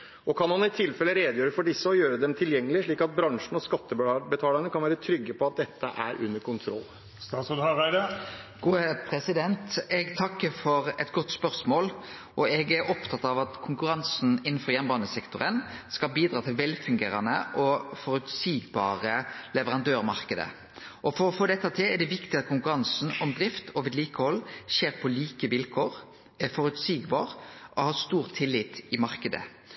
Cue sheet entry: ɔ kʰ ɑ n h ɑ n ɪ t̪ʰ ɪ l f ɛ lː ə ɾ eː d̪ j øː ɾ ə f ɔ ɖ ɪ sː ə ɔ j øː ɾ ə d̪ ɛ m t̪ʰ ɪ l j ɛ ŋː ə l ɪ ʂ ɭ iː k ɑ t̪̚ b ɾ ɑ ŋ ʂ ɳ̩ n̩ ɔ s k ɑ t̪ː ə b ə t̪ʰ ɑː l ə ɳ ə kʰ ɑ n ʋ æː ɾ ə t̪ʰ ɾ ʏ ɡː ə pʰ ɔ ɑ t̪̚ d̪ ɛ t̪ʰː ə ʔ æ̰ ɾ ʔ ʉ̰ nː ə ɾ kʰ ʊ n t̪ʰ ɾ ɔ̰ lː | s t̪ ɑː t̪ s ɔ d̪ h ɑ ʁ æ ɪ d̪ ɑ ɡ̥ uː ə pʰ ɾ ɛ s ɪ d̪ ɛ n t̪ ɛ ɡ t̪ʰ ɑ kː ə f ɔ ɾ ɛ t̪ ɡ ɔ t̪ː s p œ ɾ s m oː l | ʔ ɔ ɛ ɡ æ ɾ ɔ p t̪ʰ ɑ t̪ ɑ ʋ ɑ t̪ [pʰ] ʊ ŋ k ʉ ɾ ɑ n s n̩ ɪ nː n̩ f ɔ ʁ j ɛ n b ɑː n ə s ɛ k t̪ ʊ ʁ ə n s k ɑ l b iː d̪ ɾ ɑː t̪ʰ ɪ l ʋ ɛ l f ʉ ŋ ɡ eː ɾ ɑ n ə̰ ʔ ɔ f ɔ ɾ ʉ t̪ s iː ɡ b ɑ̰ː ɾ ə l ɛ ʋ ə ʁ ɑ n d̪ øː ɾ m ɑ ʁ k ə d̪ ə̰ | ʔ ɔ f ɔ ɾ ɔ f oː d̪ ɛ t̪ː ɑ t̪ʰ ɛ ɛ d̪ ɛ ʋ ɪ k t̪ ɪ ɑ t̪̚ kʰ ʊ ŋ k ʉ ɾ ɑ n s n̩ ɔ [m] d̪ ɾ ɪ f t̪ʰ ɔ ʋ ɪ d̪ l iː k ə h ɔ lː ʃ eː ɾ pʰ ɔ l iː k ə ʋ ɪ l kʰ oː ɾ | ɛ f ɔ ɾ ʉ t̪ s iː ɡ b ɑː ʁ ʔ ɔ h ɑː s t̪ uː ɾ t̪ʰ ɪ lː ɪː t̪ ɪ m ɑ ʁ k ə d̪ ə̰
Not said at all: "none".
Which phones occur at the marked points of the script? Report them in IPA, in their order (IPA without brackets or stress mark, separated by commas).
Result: kʰ, m